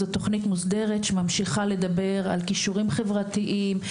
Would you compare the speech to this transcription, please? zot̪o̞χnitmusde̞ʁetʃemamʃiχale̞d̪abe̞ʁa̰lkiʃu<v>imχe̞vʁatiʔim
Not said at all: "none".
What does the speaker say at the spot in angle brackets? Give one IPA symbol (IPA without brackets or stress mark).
ʁ